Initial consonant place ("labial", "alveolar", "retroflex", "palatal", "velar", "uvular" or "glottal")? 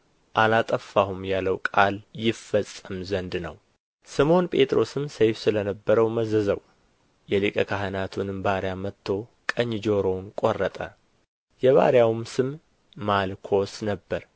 glottal